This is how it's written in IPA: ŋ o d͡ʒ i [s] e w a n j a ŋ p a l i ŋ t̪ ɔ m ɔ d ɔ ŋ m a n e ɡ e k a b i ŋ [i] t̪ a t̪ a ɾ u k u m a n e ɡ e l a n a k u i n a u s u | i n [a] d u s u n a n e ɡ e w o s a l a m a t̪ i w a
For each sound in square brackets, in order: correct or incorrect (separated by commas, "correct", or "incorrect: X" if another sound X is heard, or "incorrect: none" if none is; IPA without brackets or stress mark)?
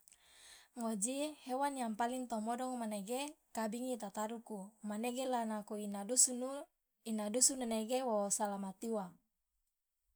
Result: incorrect: h, correct, correct